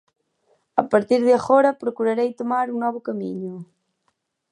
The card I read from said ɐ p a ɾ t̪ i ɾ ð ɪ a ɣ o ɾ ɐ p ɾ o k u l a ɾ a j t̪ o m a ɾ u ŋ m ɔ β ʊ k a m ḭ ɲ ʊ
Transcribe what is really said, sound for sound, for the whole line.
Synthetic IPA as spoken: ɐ p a ɾ t̪ i ɾ ð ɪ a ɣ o ɾ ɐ p ɾ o k u ɾ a ɾ e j t̪ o m a ɾ u ŋ n ɔ β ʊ k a m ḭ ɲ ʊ